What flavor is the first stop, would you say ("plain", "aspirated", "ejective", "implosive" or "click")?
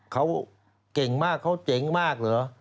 aspirated